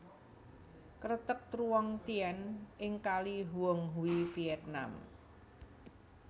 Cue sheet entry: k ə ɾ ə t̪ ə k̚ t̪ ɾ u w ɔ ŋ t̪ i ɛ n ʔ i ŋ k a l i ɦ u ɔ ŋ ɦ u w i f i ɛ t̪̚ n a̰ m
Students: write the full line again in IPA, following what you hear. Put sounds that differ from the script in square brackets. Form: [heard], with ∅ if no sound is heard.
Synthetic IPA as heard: k ə ɾ ə t̪ ə k̚ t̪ ɾ u w ɔ ŋ t̪ i ɛ n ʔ [ɪ] ŋ k a l i ɦ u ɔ ŋ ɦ u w i f i ɛ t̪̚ n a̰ m